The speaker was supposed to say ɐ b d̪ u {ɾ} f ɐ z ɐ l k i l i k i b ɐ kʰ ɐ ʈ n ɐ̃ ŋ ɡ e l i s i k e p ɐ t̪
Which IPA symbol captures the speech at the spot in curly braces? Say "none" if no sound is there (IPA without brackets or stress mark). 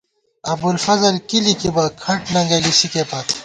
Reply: l